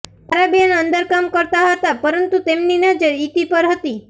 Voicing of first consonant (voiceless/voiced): voiced